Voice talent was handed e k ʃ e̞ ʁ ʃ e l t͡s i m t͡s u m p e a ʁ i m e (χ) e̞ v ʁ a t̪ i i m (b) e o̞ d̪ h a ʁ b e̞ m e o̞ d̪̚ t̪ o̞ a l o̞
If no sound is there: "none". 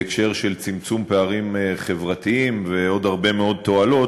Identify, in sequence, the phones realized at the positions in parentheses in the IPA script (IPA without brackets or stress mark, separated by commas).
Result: χ, v